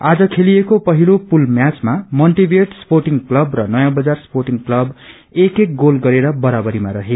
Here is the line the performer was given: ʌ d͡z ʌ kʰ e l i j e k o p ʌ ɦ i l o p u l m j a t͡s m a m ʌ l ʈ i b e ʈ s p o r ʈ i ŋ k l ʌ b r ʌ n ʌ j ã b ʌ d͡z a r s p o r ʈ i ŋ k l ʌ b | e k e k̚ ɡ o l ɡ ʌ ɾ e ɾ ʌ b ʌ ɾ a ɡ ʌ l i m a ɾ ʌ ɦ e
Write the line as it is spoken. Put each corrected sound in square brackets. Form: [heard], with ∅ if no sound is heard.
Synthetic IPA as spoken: [a] d͡z ʌ kʰ e l i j e k o p ʌ ɦ i l o p u l m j a t͡s m a m ʌ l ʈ i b e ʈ s p o r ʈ i ŋ k l ʌ b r ʌ n ʌ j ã b ʌ d͡z a r s p o r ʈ i ŋ k l ʌ b | e k e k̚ ɡ o l ɡ ʌ ɾ e ɾ ʌ b ʌ ɾ a [b] ʌ [ɾ] i m a ɾ ʌ ɦ e